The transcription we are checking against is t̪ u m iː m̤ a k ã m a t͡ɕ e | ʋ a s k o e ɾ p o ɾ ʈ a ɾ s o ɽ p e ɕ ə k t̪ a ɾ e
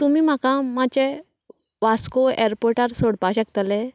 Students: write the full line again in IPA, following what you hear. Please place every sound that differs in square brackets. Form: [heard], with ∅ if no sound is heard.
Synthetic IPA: t̪ u m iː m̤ a k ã m a t͡ɕ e | ʋ a s k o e ɾ p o ɾ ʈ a ɾ s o ɽ p [a] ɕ ə k t̪ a [l] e